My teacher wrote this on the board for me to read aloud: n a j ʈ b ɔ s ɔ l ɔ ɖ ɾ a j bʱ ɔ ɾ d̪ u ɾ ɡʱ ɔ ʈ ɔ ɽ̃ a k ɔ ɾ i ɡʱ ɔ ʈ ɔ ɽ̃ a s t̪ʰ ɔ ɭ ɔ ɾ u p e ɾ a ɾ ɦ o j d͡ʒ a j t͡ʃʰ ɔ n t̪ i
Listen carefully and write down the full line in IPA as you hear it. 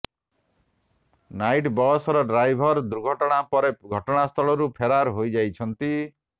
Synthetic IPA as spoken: n a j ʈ b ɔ s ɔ ɾ ɔ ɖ ɾ a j bʱ ɔ ɾ d̪ u ɾ ɡʱ ɔ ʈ ɔ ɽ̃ a p ɔ ɾ e ɡʱ ɔ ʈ ɔ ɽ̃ a s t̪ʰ ɔ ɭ ɔ ɾ u pʰ e ɾ a ɾ ɦ o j d͡ʒ a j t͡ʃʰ ɔ n t̪ i